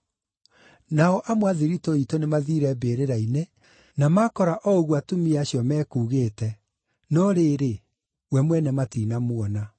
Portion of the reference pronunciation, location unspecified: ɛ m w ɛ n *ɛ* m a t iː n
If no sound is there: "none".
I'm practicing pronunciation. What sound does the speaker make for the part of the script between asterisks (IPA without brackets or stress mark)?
ɛ